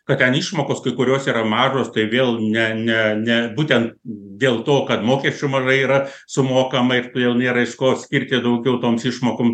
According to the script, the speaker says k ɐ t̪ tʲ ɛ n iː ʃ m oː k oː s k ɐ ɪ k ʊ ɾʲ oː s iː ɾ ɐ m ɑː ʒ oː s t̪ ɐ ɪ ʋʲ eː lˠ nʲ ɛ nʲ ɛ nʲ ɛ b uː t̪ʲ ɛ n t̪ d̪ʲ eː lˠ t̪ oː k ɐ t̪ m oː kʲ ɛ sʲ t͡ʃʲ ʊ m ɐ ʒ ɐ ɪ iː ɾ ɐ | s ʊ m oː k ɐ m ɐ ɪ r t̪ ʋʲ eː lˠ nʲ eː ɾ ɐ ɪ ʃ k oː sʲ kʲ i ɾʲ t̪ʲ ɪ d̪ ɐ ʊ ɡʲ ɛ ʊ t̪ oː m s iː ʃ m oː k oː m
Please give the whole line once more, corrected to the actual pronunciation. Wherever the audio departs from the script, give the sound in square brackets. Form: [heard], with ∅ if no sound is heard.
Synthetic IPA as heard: k ɐ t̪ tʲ ɛ n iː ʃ m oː k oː s k ɐ ɪ k ʊ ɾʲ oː s iː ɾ ɐ m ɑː ʒ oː s t̪ ɐ ɪ ʋʲ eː lˠ nʲ ɛ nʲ ɛ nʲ ɛ b uː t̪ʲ ɛ n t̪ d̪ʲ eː lˠ t̪ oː k ɐ t̪ m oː kʲ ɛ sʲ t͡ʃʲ ʊ m ɐ ʒ ɐ ɪ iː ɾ ɐ | s ʊ m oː k ɐ m ɐ ɪ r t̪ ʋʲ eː lˠ nʲ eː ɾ ɐ ɪ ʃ k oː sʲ kʲ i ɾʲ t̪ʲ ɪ d̪ ɐ ʊ ɡʲ ɛ ʊ t̪ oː m s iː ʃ m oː k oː m